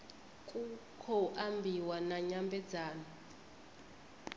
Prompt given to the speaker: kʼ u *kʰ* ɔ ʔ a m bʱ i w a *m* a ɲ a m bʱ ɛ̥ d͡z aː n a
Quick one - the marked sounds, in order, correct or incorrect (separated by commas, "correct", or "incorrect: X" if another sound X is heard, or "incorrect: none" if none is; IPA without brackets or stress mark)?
correct, incorrect: n